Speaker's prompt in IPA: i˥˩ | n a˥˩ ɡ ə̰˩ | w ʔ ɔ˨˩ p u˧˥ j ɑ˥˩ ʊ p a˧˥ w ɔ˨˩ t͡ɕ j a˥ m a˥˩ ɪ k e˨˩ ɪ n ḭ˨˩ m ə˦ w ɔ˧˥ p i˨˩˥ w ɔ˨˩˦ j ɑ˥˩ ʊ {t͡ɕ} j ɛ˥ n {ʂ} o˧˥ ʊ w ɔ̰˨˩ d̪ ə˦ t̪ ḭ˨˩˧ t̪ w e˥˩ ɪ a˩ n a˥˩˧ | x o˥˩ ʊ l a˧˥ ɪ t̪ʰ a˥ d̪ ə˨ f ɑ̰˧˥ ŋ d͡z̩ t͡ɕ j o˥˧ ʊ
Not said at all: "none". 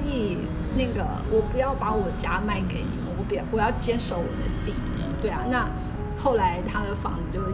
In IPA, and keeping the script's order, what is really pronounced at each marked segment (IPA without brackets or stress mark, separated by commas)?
t͡ɕ, ʂ